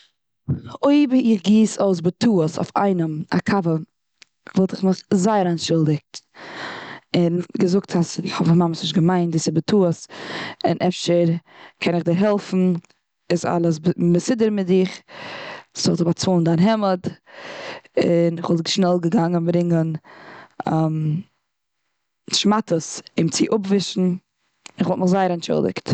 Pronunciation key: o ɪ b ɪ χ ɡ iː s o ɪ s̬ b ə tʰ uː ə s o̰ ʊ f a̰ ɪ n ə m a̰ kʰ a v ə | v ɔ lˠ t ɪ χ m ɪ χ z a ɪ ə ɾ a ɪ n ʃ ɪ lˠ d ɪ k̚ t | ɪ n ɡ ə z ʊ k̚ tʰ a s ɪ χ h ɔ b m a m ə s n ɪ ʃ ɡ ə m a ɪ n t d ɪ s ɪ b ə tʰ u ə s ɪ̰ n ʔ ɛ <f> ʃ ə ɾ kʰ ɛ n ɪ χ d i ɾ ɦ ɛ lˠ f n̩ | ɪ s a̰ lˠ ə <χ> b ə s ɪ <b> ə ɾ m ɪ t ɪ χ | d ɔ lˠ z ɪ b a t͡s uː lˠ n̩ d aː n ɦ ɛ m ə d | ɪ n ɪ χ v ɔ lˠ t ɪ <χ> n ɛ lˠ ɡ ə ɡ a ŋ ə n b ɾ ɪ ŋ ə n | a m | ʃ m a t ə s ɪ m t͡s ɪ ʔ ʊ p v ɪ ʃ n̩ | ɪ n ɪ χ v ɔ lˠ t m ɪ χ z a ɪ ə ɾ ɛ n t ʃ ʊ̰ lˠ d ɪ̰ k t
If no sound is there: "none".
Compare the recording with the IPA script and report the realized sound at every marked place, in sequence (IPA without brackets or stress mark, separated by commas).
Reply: f, s, d, ʃ